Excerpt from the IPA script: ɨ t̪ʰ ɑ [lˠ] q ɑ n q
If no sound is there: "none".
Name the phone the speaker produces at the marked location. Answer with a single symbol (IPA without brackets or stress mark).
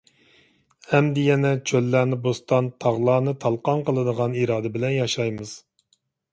lˠ